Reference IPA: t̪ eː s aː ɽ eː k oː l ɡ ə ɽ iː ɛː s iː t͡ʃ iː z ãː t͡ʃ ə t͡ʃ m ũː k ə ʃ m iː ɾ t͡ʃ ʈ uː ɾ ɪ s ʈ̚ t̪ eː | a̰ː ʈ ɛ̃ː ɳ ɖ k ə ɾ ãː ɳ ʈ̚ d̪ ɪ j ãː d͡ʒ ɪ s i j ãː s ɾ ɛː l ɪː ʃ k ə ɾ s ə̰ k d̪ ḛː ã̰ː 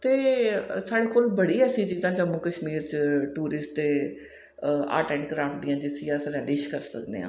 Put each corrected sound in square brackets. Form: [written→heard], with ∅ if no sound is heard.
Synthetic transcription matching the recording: t̪ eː s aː ɽ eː k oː l [ɡ→b] ə ɽ iː ɛː s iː t͡ʃ iː z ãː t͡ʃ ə [t͡ʃ→∅] m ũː k ə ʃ m iː ɾ t͡ʃ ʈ uː ɾ ɪ s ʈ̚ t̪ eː | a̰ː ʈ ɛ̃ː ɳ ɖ k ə ɾ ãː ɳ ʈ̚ d̪ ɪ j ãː d͡ʒ ɪ s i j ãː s ɾ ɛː l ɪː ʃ k ə ɾ s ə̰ k d̪ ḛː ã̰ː